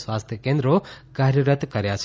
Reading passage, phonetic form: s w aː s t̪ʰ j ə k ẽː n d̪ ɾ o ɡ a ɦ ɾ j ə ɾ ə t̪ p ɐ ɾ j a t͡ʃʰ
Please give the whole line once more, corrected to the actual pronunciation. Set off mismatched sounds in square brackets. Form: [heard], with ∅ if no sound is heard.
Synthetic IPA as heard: s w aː s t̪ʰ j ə k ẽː n d̪ ɾ o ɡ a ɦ ɾ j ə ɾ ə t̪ [k] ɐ ɾ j a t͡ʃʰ